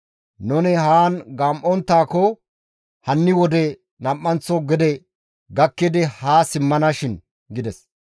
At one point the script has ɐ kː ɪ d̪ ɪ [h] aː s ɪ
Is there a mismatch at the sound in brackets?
no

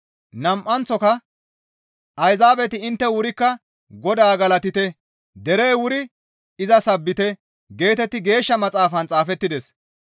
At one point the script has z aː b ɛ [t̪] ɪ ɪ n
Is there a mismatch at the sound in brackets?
no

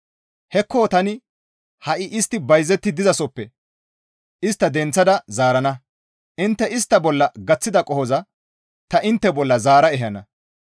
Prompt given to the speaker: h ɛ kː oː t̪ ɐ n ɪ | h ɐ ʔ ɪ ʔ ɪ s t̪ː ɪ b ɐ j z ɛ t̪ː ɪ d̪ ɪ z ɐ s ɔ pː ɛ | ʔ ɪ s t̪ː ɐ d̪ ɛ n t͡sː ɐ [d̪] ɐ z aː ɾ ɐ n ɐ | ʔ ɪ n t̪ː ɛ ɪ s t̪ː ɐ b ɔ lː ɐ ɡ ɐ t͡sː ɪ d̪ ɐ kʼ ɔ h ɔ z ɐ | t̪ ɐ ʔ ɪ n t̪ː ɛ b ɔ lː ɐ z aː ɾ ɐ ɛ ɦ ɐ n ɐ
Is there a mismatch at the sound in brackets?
no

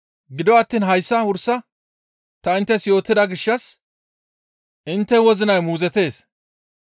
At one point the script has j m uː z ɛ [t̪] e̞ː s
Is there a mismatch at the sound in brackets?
no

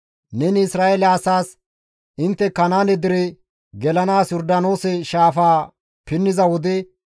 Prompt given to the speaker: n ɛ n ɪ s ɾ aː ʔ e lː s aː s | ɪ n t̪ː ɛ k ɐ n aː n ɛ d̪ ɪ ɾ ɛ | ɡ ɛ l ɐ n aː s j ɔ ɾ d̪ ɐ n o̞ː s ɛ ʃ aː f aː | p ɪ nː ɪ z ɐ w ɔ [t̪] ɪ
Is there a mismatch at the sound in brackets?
yes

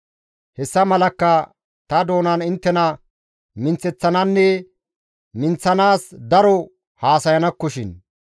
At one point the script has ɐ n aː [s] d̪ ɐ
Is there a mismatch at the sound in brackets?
no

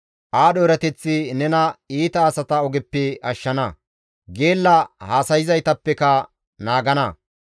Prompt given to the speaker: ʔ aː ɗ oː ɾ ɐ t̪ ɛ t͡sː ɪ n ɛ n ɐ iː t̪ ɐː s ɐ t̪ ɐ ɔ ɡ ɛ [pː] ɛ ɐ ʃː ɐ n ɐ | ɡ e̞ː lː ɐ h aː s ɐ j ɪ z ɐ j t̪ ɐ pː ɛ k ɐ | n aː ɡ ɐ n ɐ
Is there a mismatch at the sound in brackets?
no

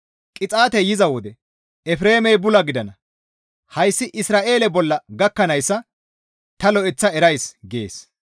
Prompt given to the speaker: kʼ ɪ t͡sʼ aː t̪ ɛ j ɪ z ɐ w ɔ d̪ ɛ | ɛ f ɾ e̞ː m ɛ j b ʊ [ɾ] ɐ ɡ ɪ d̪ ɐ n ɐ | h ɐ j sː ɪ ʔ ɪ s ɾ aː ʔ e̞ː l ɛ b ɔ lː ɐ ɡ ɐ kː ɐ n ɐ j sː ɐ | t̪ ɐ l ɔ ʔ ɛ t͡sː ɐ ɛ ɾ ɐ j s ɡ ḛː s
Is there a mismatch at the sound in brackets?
yes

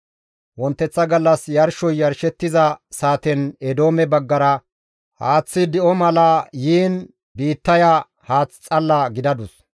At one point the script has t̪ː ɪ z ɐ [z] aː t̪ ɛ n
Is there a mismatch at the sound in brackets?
yes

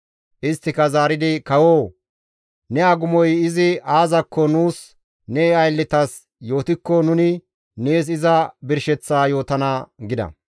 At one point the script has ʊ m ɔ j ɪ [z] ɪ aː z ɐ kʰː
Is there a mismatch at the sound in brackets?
no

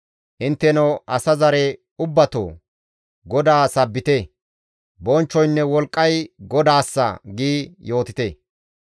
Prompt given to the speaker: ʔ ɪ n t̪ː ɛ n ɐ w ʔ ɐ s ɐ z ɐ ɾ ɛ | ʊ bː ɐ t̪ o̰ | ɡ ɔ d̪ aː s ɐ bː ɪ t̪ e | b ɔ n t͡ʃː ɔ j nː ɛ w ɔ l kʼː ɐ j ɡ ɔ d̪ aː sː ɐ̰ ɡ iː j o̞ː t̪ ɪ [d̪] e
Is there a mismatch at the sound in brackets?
yes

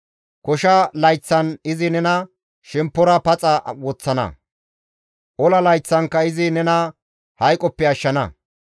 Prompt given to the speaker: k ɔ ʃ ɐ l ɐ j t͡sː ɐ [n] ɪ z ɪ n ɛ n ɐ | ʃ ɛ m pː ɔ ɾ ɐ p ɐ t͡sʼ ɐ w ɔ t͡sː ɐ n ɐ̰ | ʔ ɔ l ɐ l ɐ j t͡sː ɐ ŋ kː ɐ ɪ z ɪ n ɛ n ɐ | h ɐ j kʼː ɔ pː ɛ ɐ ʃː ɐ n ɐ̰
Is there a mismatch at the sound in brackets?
no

